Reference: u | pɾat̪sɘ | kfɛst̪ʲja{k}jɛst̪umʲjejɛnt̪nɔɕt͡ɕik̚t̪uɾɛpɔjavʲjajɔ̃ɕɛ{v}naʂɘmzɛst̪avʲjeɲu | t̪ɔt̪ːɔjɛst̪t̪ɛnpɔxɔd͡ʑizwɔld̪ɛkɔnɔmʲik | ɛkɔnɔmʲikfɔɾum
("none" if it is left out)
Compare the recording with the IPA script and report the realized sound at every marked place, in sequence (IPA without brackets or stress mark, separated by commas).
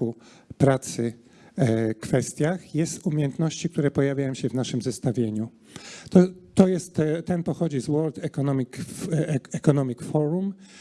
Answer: x, v